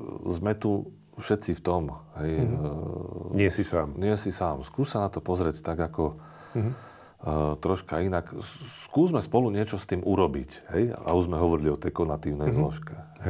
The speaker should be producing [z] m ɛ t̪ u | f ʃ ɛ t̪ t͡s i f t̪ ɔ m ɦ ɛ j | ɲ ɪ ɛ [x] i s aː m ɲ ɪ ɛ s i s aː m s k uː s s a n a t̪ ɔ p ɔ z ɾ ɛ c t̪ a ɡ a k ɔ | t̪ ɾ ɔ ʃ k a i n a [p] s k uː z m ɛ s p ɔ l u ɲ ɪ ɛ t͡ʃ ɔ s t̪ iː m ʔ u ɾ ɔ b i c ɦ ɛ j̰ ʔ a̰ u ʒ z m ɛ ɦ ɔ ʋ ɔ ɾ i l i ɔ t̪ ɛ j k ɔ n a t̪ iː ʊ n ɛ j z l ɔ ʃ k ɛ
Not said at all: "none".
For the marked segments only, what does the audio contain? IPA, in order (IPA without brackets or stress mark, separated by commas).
z, s, k